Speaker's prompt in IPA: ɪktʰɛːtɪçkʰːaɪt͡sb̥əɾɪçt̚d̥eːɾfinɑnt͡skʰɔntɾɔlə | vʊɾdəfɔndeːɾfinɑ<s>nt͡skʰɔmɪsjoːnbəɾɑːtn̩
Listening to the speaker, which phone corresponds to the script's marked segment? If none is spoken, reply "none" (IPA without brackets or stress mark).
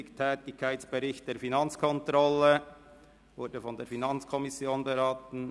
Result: none